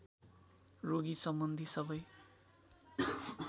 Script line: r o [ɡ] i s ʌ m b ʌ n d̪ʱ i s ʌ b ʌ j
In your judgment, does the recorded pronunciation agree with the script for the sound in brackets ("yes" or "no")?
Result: yes